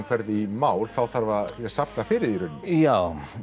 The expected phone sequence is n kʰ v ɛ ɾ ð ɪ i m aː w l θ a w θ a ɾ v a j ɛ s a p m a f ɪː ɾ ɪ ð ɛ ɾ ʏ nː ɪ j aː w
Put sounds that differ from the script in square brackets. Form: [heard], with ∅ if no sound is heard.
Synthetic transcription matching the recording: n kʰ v ɛ ɾ ð ɪ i m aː w l θ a w θ a ɾ v a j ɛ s a p [n] a f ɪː ɾ ɪ ð [i] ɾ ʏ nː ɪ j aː w